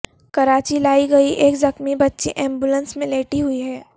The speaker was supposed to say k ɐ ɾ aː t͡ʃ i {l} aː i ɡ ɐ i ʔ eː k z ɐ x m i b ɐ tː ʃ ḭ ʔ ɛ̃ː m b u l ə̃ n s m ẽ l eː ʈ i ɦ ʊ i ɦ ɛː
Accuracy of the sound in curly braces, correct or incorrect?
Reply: correct